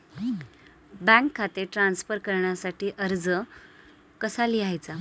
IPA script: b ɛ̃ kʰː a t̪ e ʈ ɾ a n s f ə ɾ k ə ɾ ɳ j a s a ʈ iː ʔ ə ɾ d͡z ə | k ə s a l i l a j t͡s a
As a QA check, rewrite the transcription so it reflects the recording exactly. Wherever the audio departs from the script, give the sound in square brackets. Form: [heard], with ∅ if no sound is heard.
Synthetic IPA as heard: b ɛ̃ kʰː a t̪ e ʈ ɾ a n s f ə ɾ k ə ɾ ɳ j a s a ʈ iː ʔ ə ɾ d͡z ə | k ə s a l i [∅] a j t͡s a